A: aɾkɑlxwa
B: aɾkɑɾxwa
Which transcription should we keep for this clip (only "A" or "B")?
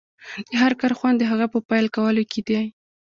B